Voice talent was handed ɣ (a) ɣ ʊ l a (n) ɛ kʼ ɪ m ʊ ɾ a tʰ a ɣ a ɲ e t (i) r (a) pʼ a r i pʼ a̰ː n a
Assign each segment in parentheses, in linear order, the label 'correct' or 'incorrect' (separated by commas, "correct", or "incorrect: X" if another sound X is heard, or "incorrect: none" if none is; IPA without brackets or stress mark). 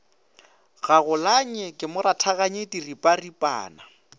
correct, incorrect: ɲ, correct, incorrect: i